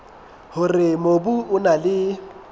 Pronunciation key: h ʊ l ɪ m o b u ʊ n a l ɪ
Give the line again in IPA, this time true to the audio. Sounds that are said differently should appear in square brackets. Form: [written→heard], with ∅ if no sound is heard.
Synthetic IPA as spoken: h ʊ [l→r] ɪ m o b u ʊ n a l ɪ

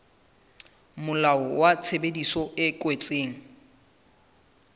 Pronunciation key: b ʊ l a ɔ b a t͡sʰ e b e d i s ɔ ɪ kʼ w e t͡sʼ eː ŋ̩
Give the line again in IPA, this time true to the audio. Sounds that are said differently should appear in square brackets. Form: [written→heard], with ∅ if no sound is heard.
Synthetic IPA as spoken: [b→m] ʊ l a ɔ [b→w] a t͡sʰ e b e d i s ɔ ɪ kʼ w e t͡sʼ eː ŋ̩

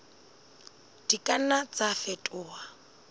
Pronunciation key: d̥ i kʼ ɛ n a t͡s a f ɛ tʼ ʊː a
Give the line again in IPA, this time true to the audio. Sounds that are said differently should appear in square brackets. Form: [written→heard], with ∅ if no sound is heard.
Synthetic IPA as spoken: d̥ i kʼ [ɛ→a] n a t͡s a f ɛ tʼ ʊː a

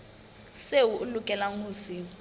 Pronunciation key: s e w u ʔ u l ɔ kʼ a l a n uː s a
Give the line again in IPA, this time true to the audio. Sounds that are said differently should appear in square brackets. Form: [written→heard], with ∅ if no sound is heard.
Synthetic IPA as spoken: s e w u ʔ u l [ɔ→u] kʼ [a→ɛ] l a [n→ŋ] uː s [a→i]

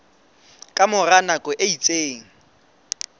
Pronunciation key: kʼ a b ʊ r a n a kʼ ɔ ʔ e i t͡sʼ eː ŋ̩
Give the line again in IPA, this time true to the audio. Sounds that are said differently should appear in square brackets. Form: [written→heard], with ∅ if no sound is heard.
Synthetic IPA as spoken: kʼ a [b→m] ʊ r a n a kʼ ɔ ʔ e i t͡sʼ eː ŋ̩

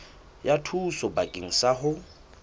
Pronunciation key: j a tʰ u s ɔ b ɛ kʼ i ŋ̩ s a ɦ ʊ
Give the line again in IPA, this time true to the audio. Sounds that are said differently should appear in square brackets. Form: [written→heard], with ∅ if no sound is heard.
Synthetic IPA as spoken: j a tʰ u s ɔ b [ɛ→a] kʼ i ŋ̩ s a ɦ ʊ

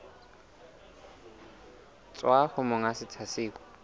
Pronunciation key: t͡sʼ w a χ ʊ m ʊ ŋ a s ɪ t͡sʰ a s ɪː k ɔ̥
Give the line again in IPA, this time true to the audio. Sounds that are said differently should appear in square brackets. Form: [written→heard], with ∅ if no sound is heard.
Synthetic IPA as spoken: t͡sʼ w a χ ʊ m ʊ ŋ a s ɪ t͡sʰ a s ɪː k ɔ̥

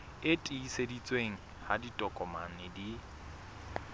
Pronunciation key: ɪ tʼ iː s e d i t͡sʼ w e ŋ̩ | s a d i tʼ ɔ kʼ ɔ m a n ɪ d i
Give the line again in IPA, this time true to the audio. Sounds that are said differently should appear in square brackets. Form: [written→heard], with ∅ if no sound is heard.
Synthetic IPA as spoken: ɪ tʼ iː s e d i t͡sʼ w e ŋ̩ | [s→h] a d i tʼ ɔ kʼ ɔ m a n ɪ d i

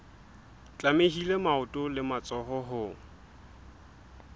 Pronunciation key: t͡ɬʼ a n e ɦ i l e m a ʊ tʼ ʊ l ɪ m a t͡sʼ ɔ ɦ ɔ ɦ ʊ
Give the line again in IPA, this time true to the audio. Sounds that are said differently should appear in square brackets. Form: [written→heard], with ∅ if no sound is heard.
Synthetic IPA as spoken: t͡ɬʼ a [n→m] e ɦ i l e m a ʊ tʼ ʊ l ɪ m a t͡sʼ ɔ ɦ ɔ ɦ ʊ

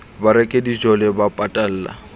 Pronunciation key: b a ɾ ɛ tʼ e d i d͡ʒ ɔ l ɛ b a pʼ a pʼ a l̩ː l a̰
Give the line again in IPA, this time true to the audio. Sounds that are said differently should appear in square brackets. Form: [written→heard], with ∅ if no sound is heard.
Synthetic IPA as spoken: b a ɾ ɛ [tʼ→kʼ] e d i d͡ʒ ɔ l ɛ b a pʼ a [pʼ→tʼ] a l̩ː l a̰

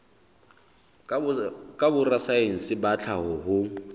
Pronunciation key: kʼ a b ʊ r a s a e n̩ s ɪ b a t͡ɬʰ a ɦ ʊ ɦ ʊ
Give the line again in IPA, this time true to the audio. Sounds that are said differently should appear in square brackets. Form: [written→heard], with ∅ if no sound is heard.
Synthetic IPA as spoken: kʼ a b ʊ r a s a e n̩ s ɪ b a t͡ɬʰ a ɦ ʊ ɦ ʊ

